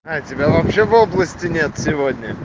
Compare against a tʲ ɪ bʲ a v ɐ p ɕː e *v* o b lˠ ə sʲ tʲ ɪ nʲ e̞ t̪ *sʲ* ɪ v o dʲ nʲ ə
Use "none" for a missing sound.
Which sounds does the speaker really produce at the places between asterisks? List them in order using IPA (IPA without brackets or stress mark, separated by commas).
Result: v, sʲ